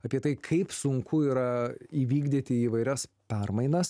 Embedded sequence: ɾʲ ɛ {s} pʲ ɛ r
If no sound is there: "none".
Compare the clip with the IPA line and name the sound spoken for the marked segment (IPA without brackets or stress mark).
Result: s